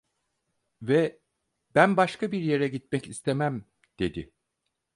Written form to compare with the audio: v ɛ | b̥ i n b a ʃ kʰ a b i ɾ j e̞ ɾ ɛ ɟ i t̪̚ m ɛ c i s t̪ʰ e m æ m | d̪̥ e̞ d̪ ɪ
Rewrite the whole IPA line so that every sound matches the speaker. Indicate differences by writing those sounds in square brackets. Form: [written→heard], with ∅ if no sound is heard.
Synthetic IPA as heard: v ɛ | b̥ [i→æ] n b a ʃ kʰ a b i ɾ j e̞ ɾ ɛ ɟ i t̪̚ m ɛ c i s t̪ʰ e m æ m | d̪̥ e̞ d̪ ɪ